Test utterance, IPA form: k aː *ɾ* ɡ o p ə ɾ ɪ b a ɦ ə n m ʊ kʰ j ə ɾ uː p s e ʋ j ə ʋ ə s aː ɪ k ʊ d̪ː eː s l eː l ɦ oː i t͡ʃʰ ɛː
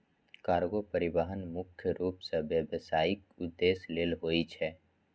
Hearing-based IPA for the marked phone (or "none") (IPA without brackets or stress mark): ɾ